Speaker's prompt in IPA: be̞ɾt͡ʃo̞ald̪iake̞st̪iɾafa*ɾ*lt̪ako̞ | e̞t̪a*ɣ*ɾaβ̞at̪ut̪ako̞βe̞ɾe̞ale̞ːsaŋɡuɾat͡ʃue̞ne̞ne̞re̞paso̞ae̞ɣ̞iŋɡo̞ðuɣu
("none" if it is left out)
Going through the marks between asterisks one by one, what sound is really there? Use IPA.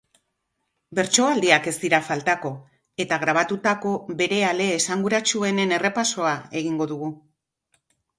none, ɣ

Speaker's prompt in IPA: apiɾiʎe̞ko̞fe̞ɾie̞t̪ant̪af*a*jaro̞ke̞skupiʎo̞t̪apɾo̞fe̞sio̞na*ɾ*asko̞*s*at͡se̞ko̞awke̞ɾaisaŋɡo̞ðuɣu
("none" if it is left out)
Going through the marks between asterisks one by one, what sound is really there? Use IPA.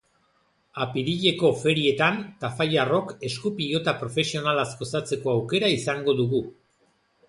a, l, s

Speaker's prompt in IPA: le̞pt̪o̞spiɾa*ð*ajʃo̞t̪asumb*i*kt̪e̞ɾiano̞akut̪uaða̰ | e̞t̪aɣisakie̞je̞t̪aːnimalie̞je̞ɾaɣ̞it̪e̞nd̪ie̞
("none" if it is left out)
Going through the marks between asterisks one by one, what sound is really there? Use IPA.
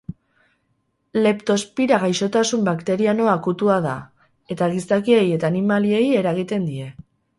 ɣ, a

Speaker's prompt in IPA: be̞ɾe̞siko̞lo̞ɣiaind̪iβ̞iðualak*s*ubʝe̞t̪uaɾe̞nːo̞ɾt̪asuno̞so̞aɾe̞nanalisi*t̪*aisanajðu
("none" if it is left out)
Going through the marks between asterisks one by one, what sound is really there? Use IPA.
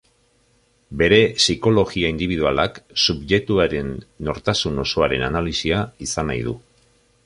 s, none

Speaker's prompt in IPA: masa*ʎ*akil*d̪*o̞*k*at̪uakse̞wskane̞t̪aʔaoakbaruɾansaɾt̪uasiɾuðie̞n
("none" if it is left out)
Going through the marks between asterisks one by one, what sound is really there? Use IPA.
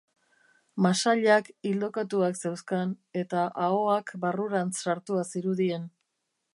ʎ, d̪, k

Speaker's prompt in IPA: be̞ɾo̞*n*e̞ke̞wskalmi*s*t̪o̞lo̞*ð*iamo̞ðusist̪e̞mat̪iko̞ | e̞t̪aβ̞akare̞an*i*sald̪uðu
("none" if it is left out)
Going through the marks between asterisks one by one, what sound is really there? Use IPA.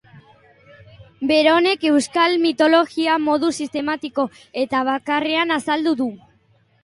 n, none, ɣ, a

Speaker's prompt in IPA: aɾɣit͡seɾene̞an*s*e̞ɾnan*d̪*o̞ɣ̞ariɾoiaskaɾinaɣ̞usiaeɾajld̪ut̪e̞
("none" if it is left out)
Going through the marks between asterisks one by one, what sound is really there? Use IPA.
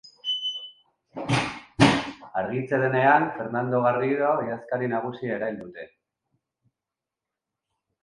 f, d̪

